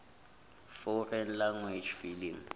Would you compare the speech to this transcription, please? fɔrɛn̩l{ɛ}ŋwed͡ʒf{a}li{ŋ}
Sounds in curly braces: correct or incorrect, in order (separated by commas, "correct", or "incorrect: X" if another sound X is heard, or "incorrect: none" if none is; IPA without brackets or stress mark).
incorrect: a, incorrect: i, correct